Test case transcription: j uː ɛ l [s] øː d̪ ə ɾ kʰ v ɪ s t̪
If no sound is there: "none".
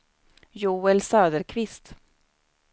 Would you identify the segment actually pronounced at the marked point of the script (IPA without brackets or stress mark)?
s